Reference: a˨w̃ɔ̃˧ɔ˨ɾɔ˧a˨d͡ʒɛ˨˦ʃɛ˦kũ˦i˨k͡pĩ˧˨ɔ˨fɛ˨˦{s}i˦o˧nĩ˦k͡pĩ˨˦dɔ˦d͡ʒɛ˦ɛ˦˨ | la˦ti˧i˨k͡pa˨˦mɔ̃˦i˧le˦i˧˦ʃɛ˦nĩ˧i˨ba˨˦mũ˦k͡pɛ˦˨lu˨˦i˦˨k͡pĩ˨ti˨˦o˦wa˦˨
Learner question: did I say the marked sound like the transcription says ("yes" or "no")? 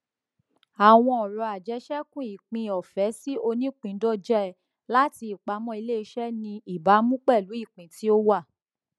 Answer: yes